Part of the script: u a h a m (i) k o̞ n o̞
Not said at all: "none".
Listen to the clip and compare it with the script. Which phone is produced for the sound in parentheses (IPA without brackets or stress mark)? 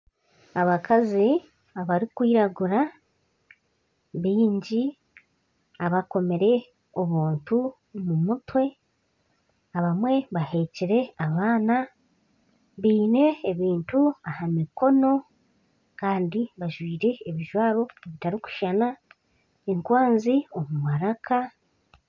i